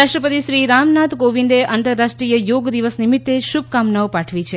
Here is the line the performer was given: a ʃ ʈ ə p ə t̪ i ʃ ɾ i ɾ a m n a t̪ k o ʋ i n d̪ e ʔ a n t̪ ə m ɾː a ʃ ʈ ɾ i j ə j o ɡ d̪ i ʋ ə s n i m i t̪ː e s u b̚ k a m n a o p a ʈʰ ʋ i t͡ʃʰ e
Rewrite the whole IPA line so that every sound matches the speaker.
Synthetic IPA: a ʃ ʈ ə p ə t̪ i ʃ ɾ i ɾ a m n a t̪ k o ʋ i n d̪ e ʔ a n t̪ ə ɾː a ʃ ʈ ɾ i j ə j o ɡ d̪ i ʋ ə s n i m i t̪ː e ʃ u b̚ k a m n a o p a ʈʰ ʋ i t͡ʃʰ e